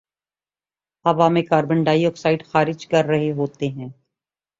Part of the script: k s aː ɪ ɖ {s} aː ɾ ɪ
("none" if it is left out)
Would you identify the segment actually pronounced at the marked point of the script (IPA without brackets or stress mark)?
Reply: x